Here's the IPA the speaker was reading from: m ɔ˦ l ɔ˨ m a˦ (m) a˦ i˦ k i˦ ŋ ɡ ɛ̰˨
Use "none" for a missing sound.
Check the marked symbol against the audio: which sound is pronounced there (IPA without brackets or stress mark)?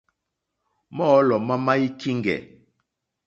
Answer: m